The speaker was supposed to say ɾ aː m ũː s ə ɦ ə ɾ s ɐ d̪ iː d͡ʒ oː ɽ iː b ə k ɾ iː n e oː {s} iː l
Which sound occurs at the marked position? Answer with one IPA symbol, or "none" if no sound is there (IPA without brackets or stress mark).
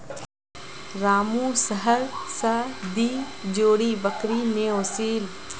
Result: s